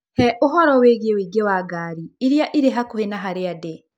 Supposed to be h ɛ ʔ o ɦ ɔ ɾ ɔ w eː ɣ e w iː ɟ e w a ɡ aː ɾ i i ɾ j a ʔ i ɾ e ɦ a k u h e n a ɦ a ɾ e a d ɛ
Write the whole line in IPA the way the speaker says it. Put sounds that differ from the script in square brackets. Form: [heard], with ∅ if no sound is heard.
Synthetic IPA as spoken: h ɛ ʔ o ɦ ɔ ɾ ɔ w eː ɣ e w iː [ɡ] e w a ɡ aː ɾ i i ɾ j a ʔ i ɾ e ɦ a k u h e n a ɦ a ɾ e a d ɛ